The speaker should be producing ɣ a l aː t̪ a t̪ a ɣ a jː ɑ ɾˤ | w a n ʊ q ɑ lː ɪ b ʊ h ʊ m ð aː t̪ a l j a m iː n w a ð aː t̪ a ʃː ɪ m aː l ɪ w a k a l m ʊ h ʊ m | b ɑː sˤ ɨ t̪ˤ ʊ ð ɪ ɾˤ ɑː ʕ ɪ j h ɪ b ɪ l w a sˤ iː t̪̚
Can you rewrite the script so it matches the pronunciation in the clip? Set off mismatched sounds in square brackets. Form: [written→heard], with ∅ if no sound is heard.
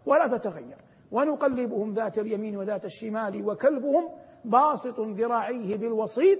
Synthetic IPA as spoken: [ɣ→w] a l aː t̪ a t̪ a ɣ a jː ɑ ɾˤ | w a n ʊ q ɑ lː ɪ b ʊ h ʊ m ð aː t̪ a l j a m iː n w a ð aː t̪ a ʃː ɪ m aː l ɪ w a k a l [m→b] ʊ h ʊ m | b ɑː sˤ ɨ t̪ˤ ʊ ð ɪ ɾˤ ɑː ʕ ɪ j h ɪ b ɪ l w [a→ɑ] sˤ iː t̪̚